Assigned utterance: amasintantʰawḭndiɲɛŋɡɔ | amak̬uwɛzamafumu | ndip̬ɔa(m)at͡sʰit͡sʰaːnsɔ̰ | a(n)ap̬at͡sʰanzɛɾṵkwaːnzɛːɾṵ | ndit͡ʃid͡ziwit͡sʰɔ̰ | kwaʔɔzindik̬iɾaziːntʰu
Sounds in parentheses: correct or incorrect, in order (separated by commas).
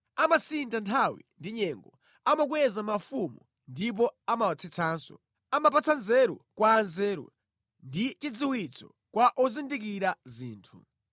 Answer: correct, incorrect